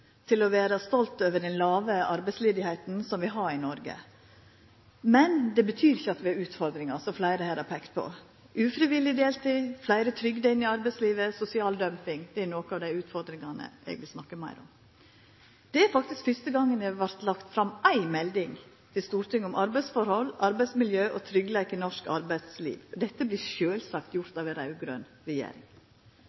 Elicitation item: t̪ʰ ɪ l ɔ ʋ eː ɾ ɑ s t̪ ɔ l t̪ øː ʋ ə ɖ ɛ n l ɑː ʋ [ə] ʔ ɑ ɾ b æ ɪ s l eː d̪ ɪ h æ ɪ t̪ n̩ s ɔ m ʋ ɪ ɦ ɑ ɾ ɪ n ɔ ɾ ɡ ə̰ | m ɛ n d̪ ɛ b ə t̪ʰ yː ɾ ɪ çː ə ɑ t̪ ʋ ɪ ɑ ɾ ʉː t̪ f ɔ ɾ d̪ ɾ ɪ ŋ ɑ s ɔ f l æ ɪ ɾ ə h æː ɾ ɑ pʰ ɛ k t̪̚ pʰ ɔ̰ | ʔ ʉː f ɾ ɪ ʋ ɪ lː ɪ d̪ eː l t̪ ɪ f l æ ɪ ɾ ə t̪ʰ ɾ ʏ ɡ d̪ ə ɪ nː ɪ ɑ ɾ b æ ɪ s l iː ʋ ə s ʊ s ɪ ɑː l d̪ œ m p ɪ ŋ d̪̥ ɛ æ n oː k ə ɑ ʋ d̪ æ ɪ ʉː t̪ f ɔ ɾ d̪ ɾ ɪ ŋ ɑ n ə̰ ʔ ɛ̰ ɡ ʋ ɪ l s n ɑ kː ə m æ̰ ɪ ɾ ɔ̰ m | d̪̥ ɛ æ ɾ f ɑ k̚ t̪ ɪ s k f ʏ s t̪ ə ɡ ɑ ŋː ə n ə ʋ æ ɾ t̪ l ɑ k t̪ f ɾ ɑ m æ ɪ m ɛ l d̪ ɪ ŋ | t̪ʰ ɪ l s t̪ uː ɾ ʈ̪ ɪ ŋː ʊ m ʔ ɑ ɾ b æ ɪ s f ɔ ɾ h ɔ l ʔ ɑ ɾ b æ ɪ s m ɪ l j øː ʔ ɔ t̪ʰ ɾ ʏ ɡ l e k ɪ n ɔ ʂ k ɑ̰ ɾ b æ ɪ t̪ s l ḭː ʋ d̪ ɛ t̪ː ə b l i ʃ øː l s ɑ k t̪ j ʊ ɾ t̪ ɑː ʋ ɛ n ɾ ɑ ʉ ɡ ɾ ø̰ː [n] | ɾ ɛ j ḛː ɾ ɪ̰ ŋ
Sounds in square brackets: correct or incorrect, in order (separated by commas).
correct, correct